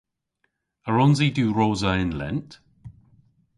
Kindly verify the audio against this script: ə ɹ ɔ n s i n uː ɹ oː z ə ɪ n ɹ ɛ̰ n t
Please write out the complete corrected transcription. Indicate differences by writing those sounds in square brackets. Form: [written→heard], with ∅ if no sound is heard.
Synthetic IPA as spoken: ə ɹ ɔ n [s→z] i [n→d] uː ɹ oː z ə ɪ n [ɹ→l] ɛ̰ n t